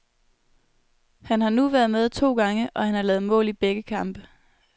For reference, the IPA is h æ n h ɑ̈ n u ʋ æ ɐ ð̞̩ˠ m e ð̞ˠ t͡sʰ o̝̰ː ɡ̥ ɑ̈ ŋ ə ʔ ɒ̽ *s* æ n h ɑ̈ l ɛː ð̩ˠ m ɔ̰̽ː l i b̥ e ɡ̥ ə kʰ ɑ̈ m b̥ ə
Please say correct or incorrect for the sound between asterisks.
incorrect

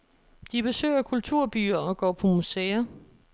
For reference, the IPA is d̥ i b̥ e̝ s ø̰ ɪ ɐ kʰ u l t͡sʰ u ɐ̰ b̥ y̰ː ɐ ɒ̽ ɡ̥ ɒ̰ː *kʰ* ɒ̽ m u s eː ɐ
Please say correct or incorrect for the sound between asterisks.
incorrect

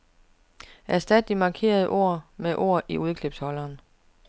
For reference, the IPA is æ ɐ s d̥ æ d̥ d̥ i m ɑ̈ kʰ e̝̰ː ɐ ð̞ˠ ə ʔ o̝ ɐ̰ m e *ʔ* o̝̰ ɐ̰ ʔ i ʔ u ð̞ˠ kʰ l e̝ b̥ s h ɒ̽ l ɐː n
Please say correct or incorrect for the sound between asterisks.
correct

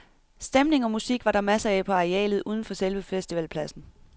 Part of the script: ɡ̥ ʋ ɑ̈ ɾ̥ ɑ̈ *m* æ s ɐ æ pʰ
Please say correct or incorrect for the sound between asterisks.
correct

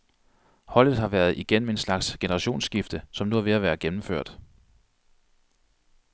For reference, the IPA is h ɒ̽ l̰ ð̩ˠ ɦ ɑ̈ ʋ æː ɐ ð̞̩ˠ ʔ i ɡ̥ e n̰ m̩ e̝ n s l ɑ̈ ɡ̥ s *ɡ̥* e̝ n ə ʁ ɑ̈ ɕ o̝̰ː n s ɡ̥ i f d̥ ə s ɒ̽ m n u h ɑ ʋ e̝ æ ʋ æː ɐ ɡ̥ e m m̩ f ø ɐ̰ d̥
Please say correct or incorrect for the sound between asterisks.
correct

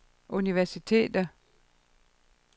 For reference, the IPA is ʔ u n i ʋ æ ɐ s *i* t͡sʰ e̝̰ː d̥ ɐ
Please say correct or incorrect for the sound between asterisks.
correct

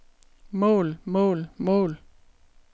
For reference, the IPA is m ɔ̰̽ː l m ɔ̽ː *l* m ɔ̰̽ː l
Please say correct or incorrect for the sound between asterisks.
correct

